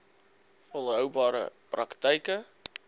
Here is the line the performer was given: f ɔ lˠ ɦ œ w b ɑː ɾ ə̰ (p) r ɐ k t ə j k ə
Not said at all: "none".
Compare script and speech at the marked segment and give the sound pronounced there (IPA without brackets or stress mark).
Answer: p